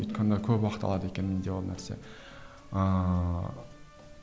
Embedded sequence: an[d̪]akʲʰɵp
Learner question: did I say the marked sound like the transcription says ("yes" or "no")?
yes